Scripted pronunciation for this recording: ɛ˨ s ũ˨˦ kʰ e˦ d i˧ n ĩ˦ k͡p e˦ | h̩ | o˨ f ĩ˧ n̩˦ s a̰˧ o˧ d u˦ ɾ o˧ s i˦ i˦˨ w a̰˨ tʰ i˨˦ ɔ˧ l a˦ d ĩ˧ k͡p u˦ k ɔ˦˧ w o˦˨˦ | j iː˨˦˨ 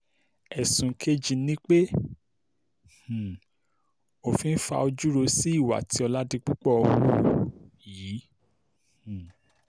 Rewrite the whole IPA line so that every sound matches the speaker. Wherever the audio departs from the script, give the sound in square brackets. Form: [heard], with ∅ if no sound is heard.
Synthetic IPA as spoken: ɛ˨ s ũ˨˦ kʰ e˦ [d͡ʒ] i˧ n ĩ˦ k͡p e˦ | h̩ | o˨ f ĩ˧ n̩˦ [f] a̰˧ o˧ [d͡ʒ] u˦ ɾ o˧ s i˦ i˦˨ w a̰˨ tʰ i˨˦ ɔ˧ l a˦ d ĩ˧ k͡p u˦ [k͡p] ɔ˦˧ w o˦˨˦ | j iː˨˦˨